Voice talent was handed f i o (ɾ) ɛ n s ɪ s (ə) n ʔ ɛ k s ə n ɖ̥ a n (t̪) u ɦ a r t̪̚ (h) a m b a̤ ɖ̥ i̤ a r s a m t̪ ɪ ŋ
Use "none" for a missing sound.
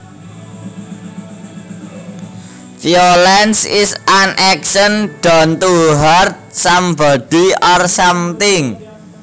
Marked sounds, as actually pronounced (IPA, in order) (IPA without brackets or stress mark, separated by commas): l, a, t̪, s